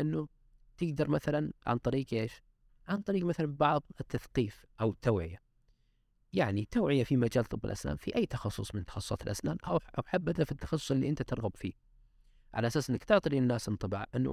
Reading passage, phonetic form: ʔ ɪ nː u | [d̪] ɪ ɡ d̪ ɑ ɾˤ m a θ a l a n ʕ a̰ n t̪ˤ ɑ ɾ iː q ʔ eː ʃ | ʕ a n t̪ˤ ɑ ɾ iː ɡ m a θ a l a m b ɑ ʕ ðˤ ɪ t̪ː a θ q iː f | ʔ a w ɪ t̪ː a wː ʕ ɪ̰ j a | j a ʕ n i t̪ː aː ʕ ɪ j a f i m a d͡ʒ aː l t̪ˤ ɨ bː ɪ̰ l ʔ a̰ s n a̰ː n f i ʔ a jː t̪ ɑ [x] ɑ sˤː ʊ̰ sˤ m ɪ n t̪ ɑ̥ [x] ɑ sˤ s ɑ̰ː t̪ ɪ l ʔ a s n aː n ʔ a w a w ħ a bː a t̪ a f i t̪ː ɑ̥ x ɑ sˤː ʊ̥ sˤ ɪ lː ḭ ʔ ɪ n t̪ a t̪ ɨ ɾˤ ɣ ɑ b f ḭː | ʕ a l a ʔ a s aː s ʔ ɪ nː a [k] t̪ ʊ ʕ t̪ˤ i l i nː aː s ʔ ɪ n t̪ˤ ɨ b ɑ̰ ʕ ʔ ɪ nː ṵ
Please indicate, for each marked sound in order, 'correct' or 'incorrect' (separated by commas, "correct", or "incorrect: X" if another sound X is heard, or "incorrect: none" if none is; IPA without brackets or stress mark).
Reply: incorrect: t̪, correct, correct, correct